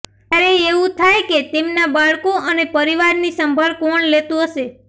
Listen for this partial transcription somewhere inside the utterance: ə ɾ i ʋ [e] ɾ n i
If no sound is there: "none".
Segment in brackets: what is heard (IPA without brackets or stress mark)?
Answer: a